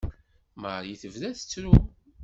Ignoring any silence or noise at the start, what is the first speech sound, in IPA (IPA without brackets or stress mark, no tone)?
m